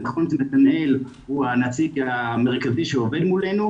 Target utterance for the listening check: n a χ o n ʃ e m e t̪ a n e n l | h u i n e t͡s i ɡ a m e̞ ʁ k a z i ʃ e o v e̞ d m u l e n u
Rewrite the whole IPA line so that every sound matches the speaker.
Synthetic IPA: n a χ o n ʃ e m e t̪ a n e l | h u a n a t͡s i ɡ a m e̞ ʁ k a z i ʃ e o v e̞ d m u l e n u